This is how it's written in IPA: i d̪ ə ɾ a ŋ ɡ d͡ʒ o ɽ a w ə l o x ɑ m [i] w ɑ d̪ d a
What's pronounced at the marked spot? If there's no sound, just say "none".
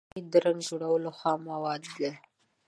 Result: a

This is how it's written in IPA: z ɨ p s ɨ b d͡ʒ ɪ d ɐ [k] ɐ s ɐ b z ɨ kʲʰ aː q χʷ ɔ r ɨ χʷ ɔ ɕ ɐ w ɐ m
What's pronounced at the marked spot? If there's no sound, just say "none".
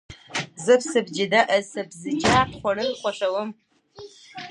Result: ʔ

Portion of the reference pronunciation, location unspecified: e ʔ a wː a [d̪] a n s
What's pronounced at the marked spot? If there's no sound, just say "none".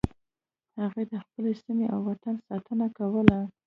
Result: t̪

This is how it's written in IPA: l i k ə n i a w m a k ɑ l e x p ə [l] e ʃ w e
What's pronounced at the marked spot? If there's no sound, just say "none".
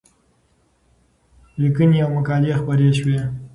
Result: ɾ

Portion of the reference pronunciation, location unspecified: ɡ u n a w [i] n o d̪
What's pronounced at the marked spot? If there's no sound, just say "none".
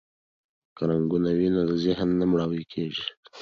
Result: i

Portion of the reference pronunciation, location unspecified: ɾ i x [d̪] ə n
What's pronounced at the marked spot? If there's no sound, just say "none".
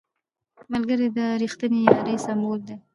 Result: t̪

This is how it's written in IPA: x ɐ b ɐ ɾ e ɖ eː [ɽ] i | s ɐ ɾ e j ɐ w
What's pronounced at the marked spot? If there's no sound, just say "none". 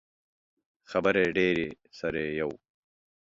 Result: ɾ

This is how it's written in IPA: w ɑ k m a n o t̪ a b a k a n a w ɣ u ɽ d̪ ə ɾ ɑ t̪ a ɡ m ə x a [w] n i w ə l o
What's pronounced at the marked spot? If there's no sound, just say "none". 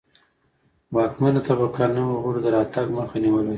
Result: none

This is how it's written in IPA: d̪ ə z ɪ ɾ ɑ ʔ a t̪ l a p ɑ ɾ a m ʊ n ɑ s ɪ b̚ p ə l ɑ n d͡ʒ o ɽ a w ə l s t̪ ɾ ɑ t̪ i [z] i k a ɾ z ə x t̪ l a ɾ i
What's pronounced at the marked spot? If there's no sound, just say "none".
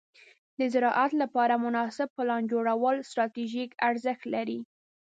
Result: ʒ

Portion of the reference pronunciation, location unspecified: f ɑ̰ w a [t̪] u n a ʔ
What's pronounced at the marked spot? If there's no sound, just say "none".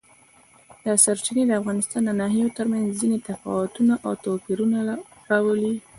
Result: t̪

